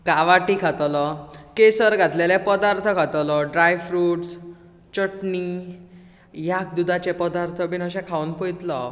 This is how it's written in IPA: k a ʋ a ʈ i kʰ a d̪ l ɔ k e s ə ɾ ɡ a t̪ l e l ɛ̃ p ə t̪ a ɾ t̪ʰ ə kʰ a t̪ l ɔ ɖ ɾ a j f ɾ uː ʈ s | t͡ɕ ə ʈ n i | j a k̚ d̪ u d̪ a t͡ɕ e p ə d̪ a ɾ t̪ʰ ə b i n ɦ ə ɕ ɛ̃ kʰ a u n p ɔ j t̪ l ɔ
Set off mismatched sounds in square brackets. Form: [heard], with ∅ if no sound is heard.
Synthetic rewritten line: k a ʋ a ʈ i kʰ a [t̪] l ɔ k e s ə ɾ ɡ a t̪ l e l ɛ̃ p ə [d̪] a ɾ t̪ʰ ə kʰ a t̪ l ɔ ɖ ɾ a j f ɾ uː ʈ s | t͡ɕ ə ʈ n i | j a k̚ d̪ u d̪ a t͡ɕ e p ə d̪ a ɾ t̪ʰ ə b i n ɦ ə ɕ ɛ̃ kʰ a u n p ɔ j t̪ l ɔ